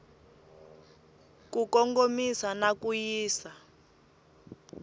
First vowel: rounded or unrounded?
rounded